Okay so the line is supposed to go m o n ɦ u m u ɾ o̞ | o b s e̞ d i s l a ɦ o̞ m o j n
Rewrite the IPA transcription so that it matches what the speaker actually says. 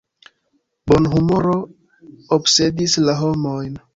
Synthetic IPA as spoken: b o n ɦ u m o ɾ o̞ | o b s e̞ d i s l a ɦ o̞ m o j n